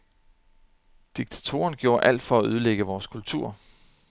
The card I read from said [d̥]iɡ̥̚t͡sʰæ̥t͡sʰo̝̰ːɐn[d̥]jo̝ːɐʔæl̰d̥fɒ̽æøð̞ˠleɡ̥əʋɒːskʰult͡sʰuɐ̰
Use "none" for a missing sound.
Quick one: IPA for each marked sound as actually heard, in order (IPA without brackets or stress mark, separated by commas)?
d̥, ɡ̥